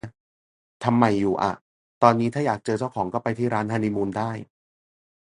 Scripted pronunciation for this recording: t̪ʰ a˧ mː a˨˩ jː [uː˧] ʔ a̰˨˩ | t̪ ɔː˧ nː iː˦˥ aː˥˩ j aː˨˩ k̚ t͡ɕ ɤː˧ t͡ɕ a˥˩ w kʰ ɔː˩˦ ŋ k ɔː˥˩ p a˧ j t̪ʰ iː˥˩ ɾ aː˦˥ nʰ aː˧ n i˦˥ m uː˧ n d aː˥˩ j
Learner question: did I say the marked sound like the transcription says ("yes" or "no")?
no